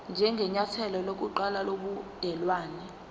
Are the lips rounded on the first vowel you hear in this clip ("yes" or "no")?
no